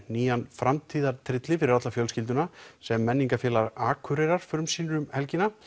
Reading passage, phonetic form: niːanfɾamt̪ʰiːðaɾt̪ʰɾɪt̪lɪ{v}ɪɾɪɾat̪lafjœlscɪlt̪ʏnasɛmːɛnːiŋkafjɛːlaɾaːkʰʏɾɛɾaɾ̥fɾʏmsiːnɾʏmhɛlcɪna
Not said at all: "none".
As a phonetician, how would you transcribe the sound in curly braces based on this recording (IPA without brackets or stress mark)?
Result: f